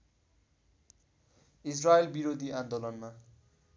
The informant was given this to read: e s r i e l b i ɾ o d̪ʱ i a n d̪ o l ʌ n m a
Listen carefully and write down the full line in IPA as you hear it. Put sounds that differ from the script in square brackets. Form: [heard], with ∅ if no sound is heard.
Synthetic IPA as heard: [i] s r [a] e l b i ɾ o d̪ʱ i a n d̪ o l ʌ n m a